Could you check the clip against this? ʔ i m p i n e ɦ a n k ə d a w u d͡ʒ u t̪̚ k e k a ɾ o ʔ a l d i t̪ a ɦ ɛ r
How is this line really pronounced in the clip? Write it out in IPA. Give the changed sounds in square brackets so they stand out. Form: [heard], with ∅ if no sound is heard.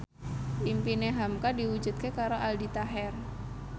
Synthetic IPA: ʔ i m p i n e ɦ a [m] k [a] d [i] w u d͡ʒ u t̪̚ k e k a ɾ o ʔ a l d i t̪ a ɦ ɛ r